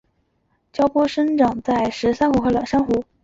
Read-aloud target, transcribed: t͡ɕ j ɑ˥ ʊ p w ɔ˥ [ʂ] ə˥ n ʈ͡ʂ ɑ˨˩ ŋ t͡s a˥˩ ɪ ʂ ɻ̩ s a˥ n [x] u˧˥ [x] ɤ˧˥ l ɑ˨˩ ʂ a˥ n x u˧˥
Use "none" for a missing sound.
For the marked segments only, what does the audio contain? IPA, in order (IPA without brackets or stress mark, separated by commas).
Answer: ʂ, x, x